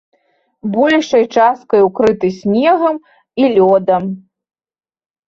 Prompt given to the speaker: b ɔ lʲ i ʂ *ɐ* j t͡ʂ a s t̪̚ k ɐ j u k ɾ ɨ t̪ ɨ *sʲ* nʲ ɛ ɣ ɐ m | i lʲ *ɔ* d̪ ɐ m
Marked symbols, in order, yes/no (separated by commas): yes, yes, yes